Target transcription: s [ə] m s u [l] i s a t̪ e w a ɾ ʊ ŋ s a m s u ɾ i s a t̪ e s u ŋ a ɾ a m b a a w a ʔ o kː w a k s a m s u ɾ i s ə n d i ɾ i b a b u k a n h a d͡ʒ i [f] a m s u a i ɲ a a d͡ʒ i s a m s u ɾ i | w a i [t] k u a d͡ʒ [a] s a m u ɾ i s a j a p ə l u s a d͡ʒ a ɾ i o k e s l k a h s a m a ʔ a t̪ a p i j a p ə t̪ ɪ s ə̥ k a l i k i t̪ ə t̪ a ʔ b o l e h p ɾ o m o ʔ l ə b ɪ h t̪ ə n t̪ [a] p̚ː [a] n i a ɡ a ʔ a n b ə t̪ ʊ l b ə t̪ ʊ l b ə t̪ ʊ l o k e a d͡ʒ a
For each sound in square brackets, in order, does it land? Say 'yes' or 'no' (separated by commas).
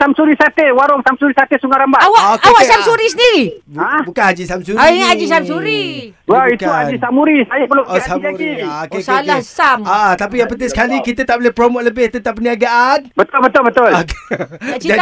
no, no, no, yes, no, yes, no